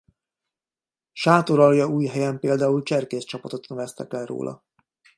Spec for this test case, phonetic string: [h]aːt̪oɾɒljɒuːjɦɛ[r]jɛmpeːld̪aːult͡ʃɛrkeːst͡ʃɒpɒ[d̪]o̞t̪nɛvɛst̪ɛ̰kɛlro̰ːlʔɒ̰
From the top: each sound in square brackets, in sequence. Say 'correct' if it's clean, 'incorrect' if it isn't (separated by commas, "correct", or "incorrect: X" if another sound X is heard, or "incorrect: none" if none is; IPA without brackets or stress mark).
incorrect: ʃ, incorrect: none, incorrect: t̪